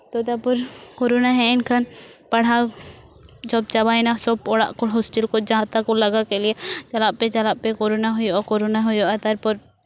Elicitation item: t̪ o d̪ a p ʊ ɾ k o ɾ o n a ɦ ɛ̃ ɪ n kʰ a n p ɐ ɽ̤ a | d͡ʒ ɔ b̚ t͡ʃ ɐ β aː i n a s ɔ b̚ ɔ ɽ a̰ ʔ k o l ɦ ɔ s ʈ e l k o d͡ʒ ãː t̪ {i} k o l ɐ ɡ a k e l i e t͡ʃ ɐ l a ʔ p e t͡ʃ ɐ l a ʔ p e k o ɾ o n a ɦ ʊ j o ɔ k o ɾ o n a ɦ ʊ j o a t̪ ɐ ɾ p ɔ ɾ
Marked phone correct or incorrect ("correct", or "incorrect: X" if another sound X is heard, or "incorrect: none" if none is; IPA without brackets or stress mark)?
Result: incorrect: a